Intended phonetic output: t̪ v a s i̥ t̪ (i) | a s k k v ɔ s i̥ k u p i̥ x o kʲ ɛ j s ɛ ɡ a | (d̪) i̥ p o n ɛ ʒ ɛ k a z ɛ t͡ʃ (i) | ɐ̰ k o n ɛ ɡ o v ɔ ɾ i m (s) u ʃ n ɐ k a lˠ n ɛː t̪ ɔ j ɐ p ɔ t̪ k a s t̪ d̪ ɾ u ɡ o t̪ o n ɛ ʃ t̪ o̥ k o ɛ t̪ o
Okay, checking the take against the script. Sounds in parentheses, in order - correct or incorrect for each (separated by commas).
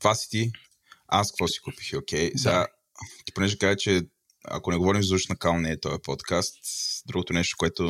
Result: correct, incorrect, incorrect, incorrect